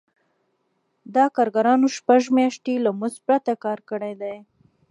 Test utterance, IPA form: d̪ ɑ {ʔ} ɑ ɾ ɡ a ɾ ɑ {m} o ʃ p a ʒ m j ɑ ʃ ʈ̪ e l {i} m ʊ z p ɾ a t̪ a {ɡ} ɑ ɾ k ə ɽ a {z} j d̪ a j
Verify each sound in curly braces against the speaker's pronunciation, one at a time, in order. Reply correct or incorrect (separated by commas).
incorrect, incorrect, incorrect, incorrect, incorrect